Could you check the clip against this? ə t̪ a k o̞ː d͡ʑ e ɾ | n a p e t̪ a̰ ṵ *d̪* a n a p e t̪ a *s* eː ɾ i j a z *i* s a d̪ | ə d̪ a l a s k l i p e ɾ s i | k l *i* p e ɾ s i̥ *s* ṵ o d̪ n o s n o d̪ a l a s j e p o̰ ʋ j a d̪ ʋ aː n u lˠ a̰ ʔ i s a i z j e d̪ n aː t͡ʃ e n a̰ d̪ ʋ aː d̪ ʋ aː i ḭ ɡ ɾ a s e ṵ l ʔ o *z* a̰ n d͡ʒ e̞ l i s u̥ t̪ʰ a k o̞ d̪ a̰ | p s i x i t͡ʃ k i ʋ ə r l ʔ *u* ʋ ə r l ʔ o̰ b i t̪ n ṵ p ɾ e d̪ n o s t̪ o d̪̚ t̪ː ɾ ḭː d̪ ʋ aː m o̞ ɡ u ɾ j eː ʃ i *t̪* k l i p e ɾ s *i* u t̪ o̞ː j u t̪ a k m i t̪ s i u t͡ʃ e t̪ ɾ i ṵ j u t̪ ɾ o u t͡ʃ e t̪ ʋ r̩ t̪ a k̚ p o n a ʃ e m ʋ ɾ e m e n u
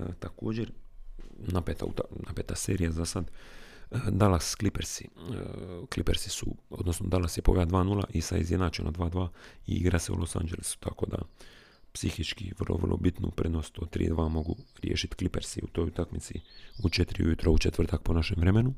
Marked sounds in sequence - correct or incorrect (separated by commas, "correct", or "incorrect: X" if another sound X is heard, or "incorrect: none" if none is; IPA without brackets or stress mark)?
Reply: incorrect: t̪, correct, incorrect: a, correct, correct, incorrect: s, incorrect: o, correct, correct